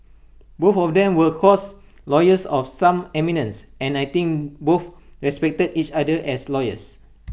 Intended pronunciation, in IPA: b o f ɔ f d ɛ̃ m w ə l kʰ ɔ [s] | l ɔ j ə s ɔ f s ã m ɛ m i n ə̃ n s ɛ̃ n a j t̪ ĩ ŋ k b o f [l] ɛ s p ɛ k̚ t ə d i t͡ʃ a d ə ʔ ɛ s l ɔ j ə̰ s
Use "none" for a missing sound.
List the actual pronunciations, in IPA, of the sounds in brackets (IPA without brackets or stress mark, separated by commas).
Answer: s, ɹ